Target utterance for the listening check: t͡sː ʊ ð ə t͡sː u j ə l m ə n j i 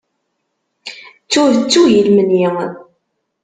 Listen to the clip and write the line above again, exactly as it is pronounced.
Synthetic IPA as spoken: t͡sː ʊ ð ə t͡sː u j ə l m ə n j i